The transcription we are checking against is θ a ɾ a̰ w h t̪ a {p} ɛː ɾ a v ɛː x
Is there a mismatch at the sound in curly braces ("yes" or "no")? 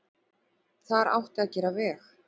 yes